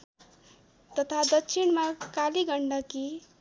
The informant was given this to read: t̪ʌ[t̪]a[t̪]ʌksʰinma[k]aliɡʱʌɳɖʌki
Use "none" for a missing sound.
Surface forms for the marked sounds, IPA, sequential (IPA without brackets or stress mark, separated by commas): t̪ʰ, d̪, k